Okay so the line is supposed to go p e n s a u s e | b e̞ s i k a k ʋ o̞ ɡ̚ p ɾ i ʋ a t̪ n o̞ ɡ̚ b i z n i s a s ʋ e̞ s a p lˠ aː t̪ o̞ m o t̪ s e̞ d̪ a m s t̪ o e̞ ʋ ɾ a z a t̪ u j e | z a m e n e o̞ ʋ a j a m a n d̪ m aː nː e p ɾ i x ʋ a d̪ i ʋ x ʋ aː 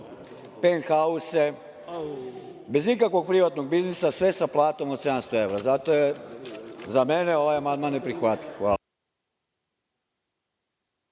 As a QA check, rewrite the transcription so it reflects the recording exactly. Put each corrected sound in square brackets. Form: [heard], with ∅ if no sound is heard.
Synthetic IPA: p e n [x] a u s e | b e̞ [z] i k a k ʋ o̞ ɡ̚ p ɾ i ʋ a t̪ n o̞ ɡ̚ b i z n i s a s ʋ e̞ s a p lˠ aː t̪ o̞ m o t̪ s e̞ d̪ a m s t̪ o e̞ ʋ ɾ a z a t̪ [o] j e | z a m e n e o̞ ʋ a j a m a n d̪ m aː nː e p ɾ i x ʋ a [t̪] i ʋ x ʋ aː

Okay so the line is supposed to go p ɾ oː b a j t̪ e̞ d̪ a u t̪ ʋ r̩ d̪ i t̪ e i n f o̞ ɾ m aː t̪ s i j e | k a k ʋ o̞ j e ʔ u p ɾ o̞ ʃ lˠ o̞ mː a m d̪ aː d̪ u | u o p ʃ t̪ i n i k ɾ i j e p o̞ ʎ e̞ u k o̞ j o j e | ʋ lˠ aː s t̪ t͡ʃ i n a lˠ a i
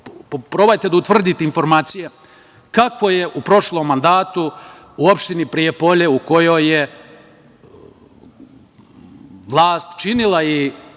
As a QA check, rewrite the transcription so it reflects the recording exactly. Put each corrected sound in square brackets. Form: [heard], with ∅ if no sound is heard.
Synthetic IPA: p ɾ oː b a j t̪ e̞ d̪ a u t̪ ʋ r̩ d̪ i t̪ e i n f o̞ ɾ m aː t̪ s i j e | k a k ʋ o̞ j e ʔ u p ɾ o̞ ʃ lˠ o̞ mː a [n] d̪ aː [t̪] u | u o p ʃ t̪ i n i [p] ɾ i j e p o̞ ʎ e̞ u k o̞ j o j e | ʋ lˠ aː s t̪ t͡ʃ i n [i] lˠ a i

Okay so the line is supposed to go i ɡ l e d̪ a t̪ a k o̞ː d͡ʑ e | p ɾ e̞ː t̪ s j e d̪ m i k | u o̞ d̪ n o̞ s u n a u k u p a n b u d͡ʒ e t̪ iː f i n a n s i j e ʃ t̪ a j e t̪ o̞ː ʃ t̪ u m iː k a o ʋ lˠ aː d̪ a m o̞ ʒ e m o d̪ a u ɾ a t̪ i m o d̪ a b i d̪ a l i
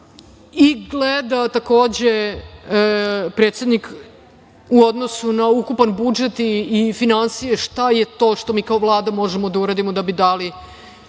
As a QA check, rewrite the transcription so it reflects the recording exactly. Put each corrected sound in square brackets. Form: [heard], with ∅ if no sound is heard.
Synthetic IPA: i ɡ l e d̪ a t̪ a k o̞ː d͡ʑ e | p ɾ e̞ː t̪ s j e d̪ [n] i k | u o̞ d̪ n o̞ s u n a u k u p a n b u d͡ʒ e t̪ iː f i n a n s i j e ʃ t̪ a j e t̪ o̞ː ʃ t̪ [o] m iː k a o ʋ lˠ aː d̪ a m o̞ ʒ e m o d̪ a u ɾ a [d̪] i m o d̪ a b i d̪ a l i

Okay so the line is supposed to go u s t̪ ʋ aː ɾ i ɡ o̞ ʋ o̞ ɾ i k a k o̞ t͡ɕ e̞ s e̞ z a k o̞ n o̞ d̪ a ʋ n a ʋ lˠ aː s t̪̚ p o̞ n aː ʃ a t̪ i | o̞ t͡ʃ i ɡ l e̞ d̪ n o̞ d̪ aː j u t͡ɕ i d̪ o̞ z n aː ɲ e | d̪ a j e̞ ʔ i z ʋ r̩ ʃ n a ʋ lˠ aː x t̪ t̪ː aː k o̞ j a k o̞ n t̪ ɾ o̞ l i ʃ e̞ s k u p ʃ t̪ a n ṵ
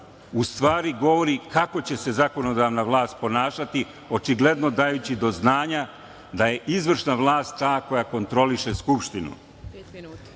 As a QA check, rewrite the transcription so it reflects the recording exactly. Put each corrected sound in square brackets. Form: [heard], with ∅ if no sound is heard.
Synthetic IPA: u s t̪ ʋ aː ɾ i ɡ o̞ ʋ o̞ ɾ i k a k o̞ t͡ɕ e̞ s e̞ z a k o̞ n o̞ d̪ a ʋ n a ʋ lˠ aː s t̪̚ p o̞ n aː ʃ a t̪ i | o̞ t͡ʃ i ɡ l e̞ d̪ n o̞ d̪ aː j u t͡ɕ i d̪ o̞ z n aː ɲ [a] | d̪ a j e̞ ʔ i z ʋ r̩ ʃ n a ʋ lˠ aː [s] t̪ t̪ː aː k o̞ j a k o̞ n t̪ ɾ o̞ l i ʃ e̞ s k u p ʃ t̪ [i] n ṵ

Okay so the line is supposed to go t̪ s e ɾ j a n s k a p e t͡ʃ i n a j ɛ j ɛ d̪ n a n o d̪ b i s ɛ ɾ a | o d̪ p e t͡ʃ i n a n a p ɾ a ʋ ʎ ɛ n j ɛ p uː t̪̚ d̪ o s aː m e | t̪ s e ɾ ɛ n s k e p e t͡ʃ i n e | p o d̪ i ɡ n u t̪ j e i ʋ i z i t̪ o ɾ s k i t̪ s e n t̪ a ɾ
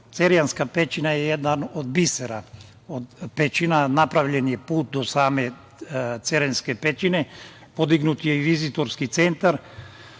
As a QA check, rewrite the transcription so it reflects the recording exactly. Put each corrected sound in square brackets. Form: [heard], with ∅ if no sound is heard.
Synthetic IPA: t̪ s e ɾ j a n s k a p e t͡ʃ i n a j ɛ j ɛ d̪ n a n o d̪ b i s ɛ ɾ a | o d̪ p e t͡ʃ i n a n a p ɾ a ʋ ʎ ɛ n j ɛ p uː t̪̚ d̪ o s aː m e | t̪ s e ɾ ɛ n s k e p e t͡ʃ i n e | p o d̪ i ɡ n u t̪ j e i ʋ i z i t̪ o ɾ s k i t̪ s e n t̪ a ɾ

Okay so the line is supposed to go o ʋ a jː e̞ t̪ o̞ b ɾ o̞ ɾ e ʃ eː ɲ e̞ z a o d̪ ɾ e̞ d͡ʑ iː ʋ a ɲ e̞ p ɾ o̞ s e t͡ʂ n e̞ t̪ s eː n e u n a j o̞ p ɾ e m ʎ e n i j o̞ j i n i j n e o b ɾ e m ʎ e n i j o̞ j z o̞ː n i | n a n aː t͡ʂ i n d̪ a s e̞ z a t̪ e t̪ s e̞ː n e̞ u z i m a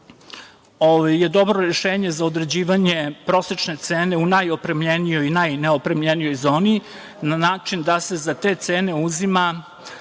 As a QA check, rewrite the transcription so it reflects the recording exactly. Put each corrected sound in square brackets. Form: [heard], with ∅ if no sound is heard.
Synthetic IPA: o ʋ a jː e̞ [d̪] o̞ b ɾ o̞ ɾ e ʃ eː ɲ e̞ z a o d̪ ɾ e̞ d͡ʑ iː ʋ a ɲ e̞ p ɾ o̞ s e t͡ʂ n e̞ t̪ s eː n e u n a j o̞ p ɾ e m ʎ e n i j o̞ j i n [a] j n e o [p] ɾ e m ʎ e n i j o̞ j z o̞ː n i | n a n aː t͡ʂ i n d̪ a s e̞ z a t̪ e t̪ s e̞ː n e̞ u z i m a

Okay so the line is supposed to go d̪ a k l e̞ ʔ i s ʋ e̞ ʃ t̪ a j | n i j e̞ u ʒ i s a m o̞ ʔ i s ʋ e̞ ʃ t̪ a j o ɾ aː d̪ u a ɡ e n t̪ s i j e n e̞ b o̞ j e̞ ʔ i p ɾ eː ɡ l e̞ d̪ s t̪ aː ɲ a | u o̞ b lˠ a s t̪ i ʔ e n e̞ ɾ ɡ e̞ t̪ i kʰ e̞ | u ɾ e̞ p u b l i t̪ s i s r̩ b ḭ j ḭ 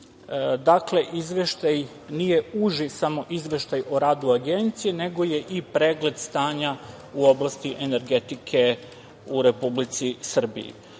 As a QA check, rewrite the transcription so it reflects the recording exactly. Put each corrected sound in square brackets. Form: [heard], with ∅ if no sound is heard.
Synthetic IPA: d̪ a k l e̞ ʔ i [z] ʋ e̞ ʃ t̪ a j | n i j e̞ u ʒ i s a m o̞ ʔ i [z] ʋ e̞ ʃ t̪ a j o ɾ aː d̪ u a ɡ e n t̪ s i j e n e̞ [ɡ] o̞ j e̞ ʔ i p ɾ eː ɡ l e̞ d̪ s t̪ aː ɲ a | u o̞ b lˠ a s t̪ i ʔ e n e̞ ɾ ɡ e̞ t̪ i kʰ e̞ | u ɾ e̞ p u b l i t̪ s i s r̩ b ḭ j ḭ

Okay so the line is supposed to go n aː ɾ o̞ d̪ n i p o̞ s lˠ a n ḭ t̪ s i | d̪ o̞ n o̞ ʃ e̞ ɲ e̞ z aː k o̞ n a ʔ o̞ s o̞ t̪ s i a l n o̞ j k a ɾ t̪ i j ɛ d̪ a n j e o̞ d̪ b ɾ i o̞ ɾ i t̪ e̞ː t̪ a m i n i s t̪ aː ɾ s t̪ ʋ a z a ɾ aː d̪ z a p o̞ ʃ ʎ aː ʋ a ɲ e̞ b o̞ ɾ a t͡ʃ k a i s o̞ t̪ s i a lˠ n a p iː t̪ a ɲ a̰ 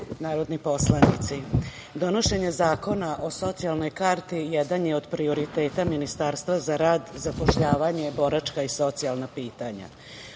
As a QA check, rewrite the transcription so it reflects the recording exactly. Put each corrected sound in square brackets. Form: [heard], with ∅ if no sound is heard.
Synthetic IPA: n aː ɾ o̞ d̪ n i p o̞ s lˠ a n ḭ t̪ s i | d̪ o̞ n o̞ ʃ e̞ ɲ e̞ z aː k o̞ n a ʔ o̞ s o̞ t̪ s i a l n o̞ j k a ɾ t̪ i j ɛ d̪ a n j e o̞ d̪ [p] ɾ i o̞ ɾ i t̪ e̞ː t̪ a m i n i s t̪ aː ɾ s t̪ ʋ a z a ɾ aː d̪ z a p o̞ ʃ ʎ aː ʋ a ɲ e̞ b o̞ ɾ a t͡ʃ k a i s o̞ t̪ s i a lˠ n a p iː t̪ a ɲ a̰

